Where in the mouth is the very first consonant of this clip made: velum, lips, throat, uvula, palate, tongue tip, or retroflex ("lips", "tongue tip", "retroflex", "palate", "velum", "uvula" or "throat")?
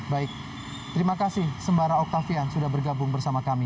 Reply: lips